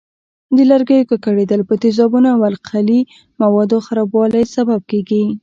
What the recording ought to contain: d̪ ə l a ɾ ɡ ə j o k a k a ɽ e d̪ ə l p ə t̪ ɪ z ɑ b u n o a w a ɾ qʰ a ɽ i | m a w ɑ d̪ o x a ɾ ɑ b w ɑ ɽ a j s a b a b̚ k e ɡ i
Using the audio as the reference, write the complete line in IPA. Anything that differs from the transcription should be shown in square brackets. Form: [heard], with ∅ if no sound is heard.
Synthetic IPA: d̪ ə l a ɾ ɡ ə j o k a k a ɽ e d̪ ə l p ə t̪ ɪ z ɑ b u n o a w a [l] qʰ a [l] i | m a w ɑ d̪ o x a ɾ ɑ b w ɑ [l] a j s a b a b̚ k e ɡ i